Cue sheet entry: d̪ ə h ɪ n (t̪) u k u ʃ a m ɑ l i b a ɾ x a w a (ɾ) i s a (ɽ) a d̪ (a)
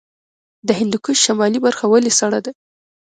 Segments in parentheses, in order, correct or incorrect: incorrect, incorrect, correct, correct

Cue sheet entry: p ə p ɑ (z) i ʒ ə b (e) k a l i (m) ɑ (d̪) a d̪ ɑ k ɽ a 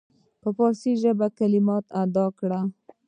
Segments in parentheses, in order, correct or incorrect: incorrect, incorrect, correct, incorrect

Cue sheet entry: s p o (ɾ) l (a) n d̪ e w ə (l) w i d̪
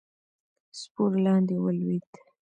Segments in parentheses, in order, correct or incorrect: correct, incorrect, correct

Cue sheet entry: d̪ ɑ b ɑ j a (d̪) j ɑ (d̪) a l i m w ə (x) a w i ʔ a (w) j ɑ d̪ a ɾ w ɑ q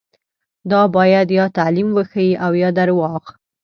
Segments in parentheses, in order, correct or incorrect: correct, incorrect, correct, correct

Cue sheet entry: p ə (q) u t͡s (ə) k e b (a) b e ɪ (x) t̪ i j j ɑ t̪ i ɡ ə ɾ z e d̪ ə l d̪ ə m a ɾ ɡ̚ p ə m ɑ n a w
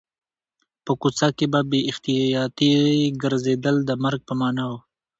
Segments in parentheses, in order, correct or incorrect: incorrect, incorrect, correct, correct

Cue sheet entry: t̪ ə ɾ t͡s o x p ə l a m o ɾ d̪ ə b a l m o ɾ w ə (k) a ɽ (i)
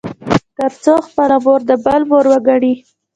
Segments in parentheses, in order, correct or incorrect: incorrect, correct

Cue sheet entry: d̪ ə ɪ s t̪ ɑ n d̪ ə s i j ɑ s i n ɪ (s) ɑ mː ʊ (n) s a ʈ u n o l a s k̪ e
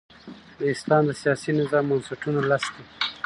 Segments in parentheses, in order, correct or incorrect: incorrect, correct

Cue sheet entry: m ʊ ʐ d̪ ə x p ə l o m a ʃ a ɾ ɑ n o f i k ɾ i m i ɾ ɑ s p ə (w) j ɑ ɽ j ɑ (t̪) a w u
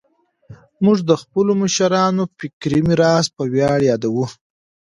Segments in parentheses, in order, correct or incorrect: correct, incorrect

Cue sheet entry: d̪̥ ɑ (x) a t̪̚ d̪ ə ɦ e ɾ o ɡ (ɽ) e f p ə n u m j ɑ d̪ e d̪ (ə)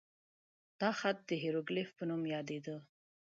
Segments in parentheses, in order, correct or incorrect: correct, incorrect, correct

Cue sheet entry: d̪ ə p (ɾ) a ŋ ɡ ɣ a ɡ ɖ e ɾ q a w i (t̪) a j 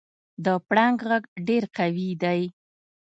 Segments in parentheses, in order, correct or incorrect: incorrect, incorrect

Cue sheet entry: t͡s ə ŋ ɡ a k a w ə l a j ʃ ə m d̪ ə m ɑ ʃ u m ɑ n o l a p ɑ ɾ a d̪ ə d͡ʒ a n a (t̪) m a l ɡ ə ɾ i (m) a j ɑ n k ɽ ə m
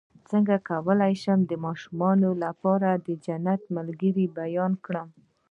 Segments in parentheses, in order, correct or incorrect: correct, incorrect

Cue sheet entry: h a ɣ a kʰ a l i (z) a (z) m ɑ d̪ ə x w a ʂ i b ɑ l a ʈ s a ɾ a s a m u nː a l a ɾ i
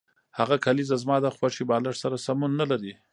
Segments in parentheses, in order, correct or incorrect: correct, correct

